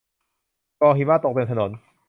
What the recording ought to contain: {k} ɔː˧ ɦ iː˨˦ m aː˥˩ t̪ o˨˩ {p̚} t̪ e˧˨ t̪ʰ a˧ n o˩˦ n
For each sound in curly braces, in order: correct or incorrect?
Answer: correct, incorrect: k̚

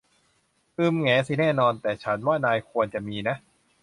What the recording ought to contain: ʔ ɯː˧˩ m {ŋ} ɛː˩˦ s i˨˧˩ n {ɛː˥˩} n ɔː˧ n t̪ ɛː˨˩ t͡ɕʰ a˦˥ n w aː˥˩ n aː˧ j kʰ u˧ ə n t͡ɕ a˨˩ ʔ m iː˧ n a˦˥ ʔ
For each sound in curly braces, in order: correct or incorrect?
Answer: correct, correct

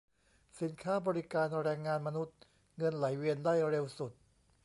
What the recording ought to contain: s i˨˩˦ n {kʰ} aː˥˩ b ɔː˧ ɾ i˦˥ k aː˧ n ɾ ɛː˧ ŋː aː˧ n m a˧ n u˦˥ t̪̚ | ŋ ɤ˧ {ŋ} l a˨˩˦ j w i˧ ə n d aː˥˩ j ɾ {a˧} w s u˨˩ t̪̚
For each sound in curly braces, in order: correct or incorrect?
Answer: correct, incorrect: n, incorrect: e˧

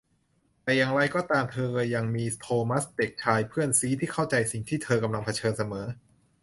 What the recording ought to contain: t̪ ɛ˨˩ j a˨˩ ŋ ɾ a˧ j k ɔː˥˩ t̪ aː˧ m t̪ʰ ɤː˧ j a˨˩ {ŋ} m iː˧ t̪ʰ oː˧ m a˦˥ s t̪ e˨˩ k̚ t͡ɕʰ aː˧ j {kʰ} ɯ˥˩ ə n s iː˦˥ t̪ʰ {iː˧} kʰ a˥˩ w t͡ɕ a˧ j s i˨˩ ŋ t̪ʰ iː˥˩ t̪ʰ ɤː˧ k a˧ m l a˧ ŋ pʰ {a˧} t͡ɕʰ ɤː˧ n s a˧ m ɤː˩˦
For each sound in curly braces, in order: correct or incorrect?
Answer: correct, incorrect: pʰ, incorrect: iː˥˩, correct

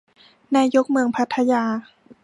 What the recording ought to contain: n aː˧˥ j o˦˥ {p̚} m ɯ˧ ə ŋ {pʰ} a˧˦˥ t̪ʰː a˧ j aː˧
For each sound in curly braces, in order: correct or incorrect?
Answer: incorrect: k̚, correct

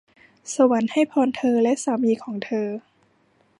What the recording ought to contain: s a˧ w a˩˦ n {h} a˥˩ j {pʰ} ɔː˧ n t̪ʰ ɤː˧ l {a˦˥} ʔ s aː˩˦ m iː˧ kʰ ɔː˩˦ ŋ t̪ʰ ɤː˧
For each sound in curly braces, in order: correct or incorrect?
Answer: correct, correct, incorrect: ɛ˦˥

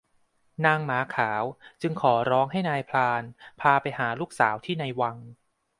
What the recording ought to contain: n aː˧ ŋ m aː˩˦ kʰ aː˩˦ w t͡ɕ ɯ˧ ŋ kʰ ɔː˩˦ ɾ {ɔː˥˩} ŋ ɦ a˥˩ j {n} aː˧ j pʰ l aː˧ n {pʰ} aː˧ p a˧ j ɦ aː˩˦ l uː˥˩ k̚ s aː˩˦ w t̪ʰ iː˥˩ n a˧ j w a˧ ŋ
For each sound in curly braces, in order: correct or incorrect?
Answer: incorrect: ɔː˦˥, correct, correct

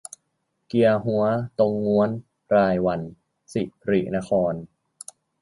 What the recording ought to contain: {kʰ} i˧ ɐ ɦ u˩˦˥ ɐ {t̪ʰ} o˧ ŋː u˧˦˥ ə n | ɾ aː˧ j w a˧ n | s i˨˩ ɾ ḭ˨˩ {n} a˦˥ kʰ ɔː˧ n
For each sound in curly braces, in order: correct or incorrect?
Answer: incorrect: k, incorrect: t̪, correct

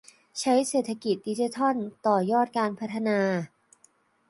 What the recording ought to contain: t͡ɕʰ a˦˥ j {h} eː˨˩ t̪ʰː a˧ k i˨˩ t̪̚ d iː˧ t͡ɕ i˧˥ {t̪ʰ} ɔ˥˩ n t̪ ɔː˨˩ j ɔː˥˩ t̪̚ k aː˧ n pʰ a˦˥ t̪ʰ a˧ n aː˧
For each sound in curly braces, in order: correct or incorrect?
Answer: incorrect: s, correct

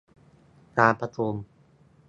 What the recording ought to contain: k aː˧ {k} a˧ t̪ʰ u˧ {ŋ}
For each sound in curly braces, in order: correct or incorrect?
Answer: incorrect: p, incorrect: m

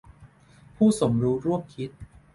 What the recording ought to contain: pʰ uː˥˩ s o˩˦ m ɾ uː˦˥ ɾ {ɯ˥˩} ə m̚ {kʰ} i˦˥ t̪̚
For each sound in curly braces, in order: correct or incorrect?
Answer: incorrect: u˥˩, correct

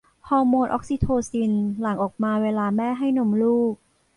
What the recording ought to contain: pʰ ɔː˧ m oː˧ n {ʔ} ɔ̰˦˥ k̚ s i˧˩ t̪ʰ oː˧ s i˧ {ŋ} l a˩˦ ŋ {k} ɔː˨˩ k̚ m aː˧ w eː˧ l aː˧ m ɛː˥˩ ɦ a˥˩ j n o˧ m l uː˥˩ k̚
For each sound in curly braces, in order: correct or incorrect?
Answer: correct, incorrect: n, incorrect: ʔ

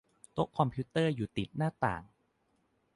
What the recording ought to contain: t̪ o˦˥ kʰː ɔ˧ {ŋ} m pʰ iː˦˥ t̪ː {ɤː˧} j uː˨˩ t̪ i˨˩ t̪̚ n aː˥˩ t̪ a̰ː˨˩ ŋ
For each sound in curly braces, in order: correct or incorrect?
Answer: incorrect: none, incorrect: ɤː˥˩

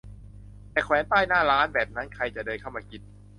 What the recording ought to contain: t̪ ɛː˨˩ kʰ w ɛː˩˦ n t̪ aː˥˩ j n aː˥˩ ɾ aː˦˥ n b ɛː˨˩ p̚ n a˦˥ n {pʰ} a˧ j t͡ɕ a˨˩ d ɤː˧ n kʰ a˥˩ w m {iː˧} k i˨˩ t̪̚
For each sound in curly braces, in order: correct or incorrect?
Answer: incorrect: kʰ, incorrect: aː˧

